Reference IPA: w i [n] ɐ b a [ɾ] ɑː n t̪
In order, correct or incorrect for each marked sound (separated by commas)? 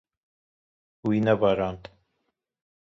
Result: correct, correct